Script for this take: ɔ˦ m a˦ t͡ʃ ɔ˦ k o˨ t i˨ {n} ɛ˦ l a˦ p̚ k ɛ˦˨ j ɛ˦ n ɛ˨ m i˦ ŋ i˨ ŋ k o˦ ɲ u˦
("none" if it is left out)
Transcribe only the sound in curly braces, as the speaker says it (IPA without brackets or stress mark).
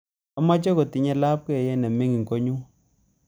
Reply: ɲ